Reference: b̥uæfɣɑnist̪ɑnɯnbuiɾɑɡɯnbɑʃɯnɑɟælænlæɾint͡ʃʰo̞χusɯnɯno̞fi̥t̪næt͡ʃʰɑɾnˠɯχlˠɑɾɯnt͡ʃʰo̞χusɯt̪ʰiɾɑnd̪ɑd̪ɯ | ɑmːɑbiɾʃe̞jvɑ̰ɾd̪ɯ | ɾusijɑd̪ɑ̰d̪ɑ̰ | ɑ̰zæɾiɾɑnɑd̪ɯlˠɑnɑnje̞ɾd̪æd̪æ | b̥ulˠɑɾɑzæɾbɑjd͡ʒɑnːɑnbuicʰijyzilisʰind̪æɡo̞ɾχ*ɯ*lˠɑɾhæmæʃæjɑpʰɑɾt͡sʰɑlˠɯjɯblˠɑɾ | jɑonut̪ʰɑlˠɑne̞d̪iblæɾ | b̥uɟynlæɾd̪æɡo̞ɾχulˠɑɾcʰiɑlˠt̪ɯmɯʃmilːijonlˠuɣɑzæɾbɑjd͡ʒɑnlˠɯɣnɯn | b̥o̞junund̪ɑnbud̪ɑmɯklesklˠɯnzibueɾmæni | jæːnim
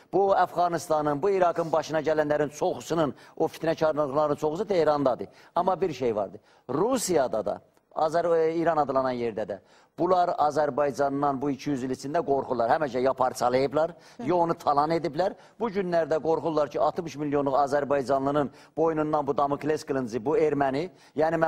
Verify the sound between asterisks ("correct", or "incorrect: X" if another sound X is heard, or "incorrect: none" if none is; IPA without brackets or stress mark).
incorrect: u